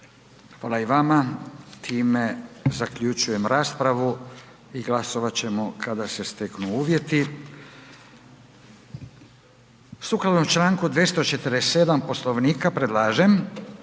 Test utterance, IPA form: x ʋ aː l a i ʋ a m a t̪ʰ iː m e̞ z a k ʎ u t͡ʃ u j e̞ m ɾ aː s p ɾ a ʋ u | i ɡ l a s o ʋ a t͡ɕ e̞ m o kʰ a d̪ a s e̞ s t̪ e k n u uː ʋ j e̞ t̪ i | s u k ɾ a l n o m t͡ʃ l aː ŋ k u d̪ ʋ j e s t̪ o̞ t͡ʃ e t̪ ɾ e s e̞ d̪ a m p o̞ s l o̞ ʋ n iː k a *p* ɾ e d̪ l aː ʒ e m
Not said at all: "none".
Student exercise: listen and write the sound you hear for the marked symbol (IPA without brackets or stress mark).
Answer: p